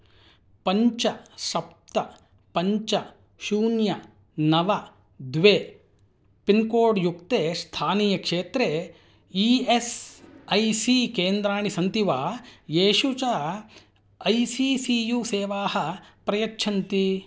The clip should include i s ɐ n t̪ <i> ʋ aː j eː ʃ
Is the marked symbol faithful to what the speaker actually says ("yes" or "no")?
yes